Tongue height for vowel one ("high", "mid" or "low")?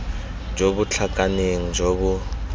mid